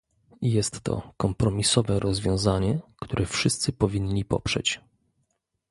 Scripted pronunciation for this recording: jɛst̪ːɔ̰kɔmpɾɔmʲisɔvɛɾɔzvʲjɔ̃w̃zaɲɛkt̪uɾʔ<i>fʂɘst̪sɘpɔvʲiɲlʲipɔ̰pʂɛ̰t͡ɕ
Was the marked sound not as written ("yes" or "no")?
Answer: yes